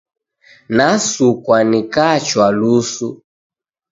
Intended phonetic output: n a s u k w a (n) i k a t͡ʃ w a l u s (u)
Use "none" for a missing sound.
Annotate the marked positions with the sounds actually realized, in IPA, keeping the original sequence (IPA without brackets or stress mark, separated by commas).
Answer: n, u